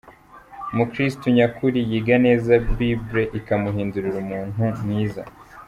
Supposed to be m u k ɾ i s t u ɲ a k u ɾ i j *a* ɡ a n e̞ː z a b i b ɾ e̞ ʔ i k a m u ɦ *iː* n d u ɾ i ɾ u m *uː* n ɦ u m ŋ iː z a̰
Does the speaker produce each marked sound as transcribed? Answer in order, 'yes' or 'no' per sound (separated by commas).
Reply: no, yes, yes